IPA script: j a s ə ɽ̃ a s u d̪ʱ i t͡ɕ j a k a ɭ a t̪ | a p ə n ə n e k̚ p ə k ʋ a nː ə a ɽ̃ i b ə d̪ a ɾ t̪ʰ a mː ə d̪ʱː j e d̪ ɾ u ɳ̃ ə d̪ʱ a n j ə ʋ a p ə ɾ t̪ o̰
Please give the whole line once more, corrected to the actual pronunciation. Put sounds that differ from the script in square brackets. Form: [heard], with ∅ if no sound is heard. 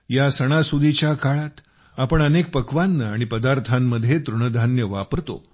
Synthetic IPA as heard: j a s ə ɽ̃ a s u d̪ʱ i t͡ɕ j a k a ɭ a t̪ | a p ə [ɳ] ə n e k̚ p ə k ʋ a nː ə a ɽ̃ i [p] ə d̪ a ɾ t̪ʰ a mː ə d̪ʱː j e [t̪] ɾ u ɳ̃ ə d̪ʱ a n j ə ʋ a p ə ɾ t̪ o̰